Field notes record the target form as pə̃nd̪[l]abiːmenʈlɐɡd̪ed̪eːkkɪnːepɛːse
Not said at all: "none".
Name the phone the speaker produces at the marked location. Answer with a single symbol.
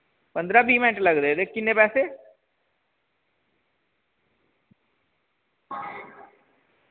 ɾ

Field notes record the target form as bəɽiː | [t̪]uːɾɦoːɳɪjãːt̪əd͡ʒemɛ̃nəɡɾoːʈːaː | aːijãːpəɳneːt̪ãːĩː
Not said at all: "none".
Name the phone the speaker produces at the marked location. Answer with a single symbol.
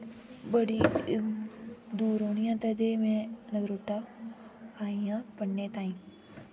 d̪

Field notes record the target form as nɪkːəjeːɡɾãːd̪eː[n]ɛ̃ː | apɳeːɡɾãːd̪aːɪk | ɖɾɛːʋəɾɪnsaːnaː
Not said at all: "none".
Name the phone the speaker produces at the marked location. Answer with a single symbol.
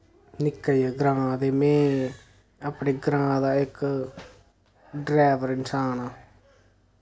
m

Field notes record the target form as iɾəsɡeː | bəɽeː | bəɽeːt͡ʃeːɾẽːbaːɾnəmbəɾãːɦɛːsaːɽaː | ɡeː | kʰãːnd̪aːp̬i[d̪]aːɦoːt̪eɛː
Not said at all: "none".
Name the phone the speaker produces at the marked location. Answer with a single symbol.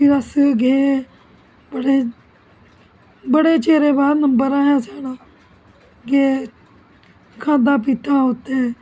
t̪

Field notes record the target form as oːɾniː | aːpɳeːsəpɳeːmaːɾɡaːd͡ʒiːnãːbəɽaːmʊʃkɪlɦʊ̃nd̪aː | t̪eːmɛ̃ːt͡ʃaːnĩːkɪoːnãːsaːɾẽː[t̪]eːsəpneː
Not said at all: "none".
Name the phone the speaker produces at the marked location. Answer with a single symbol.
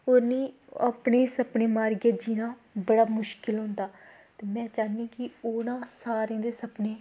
d̪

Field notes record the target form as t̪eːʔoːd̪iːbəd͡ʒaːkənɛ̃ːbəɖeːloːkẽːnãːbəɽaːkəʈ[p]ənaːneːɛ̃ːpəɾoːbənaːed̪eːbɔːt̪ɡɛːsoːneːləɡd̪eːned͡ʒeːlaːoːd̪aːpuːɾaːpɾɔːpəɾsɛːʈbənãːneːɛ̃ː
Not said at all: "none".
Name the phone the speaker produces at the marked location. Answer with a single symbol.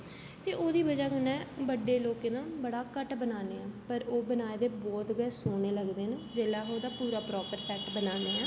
b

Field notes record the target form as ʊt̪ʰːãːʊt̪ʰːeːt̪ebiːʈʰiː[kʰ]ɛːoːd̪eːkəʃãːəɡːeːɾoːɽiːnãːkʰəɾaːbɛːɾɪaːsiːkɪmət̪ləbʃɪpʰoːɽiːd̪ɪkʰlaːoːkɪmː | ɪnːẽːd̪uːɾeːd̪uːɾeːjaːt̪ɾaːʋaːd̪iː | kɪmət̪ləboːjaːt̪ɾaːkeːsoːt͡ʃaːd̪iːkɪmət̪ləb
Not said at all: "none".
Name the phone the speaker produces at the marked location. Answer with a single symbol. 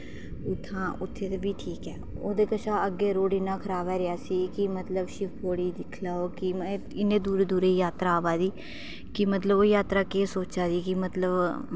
k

